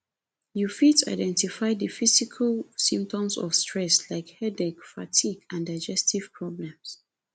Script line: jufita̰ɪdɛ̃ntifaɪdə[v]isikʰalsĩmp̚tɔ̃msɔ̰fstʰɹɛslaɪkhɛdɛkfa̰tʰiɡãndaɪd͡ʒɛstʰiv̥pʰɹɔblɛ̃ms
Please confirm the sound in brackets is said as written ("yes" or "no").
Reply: no